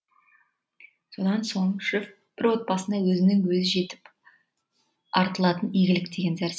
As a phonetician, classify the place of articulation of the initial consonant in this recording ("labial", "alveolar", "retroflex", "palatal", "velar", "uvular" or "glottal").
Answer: alveolar